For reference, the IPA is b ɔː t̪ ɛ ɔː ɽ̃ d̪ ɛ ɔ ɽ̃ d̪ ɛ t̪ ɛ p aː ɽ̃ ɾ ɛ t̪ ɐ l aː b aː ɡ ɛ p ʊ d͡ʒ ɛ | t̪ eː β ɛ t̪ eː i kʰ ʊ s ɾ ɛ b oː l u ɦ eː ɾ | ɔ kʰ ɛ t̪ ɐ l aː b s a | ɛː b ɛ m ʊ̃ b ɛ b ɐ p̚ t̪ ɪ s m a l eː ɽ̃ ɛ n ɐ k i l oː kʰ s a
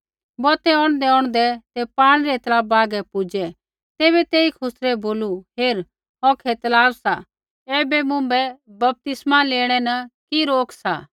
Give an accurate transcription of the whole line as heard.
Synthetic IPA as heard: b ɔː t̪ ɛ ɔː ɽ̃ d̪ ɛ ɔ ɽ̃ d̪ ɛ t̪ ɛ p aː ɽ̃ ɾ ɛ t̪ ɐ l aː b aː ɡ ɛ p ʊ d͡ʒ ɛ | t̪ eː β ɛ t̪ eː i kʰ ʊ s ɾ ɛ b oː l u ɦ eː ɾ | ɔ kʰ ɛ t̪ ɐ l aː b s a | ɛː b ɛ m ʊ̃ b ɛ b ɐ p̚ t̪ ɪ s m a l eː ɽ̃ ɛ n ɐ k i ɾ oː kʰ s a